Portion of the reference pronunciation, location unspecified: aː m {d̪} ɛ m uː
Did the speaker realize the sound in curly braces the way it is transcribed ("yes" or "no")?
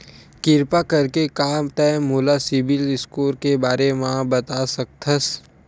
no